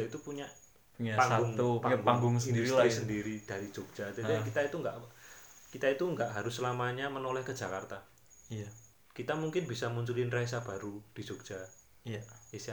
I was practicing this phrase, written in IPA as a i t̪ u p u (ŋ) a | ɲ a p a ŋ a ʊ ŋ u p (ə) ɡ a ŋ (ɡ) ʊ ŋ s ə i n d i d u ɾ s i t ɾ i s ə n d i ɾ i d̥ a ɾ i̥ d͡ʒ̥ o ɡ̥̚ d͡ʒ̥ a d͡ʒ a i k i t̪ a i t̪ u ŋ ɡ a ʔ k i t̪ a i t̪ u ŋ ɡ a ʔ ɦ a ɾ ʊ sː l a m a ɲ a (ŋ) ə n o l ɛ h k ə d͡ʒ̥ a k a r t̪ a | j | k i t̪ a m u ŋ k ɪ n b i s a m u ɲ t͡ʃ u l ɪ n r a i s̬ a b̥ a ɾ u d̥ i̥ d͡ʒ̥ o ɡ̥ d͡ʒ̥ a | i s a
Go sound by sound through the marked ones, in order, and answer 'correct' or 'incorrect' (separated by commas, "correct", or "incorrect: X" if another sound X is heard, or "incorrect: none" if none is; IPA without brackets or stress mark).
incorrect: ɲ, incorrect: a, correct, incorrect: m